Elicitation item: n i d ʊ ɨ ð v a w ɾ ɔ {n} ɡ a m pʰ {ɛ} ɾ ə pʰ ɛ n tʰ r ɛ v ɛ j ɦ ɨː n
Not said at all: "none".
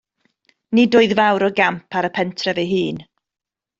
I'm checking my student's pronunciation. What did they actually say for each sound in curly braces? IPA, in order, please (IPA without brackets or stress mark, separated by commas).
none, a